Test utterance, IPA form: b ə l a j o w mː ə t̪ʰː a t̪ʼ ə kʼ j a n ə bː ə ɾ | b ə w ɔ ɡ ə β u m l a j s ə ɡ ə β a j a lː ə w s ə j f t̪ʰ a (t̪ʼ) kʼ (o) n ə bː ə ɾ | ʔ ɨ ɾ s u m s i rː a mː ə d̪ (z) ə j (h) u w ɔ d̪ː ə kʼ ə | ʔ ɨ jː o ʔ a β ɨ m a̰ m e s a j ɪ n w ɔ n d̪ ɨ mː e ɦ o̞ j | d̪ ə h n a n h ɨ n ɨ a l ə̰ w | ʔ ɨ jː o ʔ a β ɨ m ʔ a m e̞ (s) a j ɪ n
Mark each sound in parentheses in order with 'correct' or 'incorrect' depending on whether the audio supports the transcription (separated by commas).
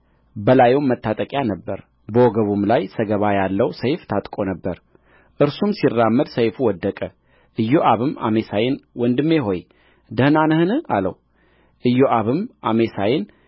correct, correct, incorrect, incorrect, correct